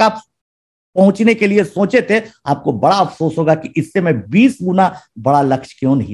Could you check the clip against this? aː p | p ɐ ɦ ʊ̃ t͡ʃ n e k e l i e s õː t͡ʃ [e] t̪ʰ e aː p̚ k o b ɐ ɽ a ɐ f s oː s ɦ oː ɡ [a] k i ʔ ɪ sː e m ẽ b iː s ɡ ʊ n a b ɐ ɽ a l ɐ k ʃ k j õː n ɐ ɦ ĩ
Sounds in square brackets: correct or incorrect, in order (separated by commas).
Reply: correct, correct